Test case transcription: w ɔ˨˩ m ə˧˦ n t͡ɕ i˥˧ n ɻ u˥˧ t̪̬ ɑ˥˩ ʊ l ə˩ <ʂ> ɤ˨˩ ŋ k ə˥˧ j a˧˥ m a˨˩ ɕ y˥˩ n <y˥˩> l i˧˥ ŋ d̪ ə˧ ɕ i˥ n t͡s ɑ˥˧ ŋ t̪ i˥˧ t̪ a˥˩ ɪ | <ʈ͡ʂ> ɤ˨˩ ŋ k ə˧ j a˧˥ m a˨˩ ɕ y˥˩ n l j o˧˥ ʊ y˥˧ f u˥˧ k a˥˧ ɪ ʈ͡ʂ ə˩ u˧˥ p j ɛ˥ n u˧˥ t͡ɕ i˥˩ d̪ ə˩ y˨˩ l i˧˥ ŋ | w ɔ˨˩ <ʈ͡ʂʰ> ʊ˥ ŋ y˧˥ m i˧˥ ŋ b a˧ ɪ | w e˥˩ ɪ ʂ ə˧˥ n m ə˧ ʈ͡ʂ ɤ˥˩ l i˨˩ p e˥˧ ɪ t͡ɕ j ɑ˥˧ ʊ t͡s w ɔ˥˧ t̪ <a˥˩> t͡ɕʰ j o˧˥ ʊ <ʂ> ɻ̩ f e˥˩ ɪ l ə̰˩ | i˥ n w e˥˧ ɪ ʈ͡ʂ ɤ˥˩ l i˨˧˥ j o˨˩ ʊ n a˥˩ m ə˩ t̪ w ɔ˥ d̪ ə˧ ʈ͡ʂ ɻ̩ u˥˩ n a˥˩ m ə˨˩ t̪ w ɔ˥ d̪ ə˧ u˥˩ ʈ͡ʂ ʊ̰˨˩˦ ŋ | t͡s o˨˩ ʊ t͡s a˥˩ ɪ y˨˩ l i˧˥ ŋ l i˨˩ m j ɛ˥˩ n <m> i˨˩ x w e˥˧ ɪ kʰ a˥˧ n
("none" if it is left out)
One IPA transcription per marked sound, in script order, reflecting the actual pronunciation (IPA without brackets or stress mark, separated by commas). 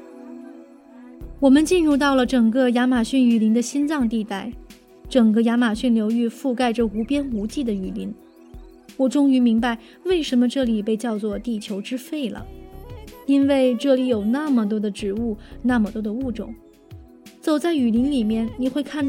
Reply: ʈ͡ʂ, y˨˩, ʈ͡ʂ, ʈ͡ʂ, i˥˩, ʈ͡ʂ, n